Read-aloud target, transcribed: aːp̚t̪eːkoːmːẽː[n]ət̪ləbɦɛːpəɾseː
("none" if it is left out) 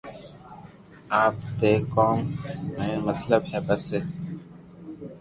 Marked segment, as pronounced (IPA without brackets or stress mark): m